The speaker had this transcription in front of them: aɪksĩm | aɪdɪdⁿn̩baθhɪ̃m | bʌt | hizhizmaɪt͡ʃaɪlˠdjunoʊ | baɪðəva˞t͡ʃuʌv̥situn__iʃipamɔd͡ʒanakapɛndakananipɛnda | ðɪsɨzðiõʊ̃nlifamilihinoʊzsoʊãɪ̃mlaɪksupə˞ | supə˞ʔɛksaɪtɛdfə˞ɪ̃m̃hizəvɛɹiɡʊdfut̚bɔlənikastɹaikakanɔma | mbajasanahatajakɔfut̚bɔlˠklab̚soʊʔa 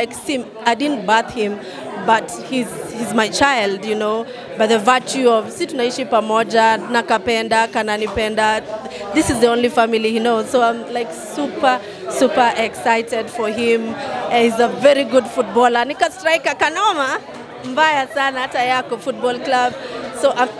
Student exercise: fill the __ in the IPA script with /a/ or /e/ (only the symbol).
a